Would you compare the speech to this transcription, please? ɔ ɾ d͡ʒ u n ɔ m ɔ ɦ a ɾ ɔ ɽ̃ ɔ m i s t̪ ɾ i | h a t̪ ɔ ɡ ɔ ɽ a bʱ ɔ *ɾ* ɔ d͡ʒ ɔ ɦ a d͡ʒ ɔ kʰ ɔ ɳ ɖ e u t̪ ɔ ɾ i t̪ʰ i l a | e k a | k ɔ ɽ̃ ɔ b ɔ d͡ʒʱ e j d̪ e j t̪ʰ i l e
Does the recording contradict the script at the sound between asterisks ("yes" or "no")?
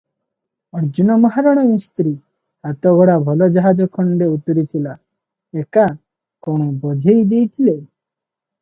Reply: yes